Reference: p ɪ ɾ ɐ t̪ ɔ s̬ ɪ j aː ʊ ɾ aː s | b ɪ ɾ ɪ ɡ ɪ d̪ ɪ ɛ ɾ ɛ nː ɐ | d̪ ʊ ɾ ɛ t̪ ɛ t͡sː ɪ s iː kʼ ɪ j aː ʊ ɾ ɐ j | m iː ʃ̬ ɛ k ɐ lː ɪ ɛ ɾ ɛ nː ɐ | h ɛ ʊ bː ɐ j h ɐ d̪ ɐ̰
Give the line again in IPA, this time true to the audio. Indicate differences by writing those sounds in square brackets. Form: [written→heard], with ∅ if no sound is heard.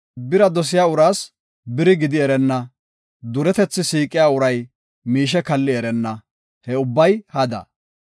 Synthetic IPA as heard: [p→b] ɪ ɾ ɐ [t̪→d̪] ɔ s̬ ɪ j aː ʊ ɾ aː s | b ɪ ɾ ɪ ɡ ɪ d̪ ɪ ɛ ɾ ɛ nː ɐ | d̪ ʊ ɾ ɛ t̪ ɛ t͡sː ɪ s iː kʼ ɪ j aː ʊ ɾ ɐ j | m iː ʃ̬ ɛ k ɐ lː ɪ ɛ ɾ ɛ nː ɐ | h ɛ ʊ bː ɐ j h ɐ d̪ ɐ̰